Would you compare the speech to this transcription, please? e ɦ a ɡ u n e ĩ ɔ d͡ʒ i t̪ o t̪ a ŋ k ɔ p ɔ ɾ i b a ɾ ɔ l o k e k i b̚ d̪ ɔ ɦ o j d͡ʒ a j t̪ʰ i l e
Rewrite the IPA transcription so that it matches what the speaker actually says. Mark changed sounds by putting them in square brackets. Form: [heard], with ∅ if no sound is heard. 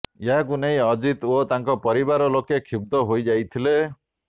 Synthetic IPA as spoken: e ɦ a [k] u n e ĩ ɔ d͡ʒ i t̪ o t̪ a ŋ k ɔ p ɔ ɾ i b a ɾ ɔ l o k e [kʰ] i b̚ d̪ ɔ ɦ o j d͡ʒ a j t̪ʰ i l e